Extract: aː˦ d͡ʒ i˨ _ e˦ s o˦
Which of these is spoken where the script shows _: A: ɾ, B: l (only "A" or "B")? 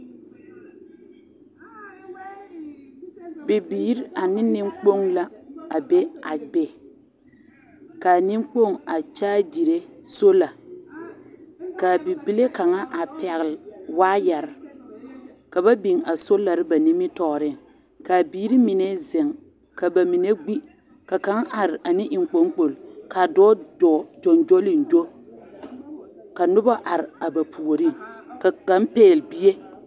A